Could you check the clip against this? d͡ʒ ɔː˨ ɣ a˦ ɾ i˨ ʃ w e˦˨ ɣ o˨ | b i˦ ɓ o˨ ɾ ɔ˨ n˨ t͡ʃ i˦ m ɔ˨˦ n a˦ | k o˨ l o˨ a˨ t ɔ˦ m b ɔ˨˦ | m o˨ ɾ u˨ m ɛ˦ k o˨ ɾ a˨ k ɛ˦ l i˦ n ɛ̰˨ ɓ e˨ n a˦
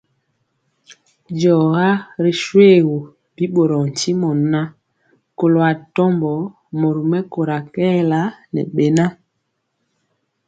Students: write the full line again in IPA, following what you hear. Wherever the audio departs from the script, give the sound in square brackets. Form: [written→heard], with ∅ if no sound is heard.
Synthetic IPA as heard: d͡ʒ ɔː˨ ɣ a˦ ɾ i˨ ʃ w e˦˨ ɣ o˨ | b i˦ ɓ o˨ ɾ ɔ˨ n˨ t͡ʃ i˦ m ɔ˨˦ n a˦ | k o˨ l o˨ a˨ t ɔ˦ m b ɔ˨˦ | m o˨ ɾ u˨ m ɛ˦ k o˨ ɾ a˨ k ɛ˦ l [i˦→a˦] n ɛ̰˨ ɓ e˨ n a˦